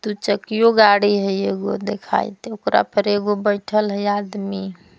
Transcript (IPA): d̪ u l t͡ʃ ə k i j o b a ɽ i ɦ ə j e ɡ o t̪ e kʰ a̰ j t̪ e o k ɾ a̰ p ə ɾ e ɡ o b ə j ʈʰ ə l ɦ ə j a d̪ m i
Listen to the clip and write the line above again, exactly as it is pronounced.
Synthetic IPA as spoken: t̪ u t͡ʃ ə k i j o ɡ a ɽ i ɦ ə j e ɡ o d̪ e kʰ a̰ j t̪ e o k ɾ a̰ p ə ɾ e ɡ o b ə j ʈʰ ə l ɦ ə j a d̪ m i